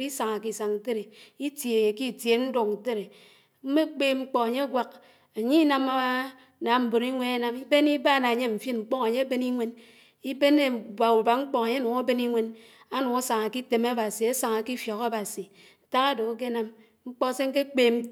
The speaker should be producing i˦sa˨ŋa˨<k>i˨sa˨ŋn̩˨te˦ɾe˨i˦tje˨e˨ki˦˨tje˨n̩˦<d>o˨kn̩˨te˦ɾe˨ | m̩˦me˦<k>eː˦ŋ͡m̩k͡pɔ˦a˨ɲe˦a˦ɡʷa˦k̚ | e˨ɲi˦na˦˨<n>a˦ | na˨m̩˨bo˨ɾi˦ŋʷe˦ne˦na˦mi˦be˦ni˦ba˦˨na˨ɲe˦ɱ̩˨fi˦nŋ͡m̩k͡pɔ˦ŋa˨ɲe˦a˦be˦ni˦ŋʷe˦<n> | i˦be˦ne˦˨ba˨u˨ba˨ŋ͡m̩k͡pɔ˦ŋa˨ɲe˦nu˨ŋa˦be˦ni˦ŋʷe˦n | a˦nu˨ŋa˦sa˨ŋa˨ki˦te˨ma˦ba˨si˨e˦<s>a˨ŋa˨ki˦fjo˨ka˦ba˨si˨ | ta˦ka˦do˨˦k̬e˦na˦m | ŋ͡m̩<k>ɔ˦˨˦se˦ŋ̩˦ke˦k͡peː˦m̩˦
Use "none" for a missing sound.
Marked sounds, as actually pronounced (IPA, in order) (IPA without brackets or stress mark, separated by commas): k, d, k͡p, m, n, s, k͡p